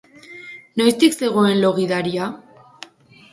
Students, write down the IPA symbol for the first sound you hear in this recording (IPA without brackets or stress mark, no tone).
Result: n